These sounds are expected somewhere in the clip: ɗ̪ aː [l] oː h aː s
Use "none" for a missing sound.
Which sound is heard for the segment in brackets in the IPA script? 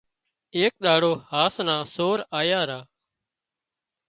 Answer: ɽ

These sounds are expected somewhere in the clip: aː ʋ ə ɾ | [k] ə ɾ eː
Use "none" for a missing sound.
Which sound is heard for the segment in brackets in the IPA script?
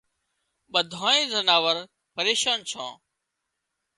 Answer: p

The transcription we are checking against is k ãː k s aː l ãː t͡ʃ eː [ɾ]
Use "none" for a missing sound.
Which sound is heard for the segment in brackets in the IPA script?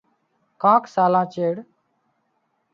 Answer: ɽ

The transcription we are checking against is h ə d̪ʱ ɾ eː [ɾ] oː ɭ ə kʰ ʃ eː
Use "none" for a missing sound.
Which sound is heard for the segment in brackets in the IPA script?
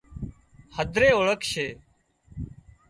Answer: none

